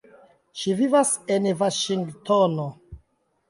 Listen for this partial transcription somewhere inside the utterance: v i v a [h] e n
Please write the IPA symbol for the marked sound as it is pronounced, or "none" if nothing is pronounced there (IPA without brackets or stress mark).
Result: s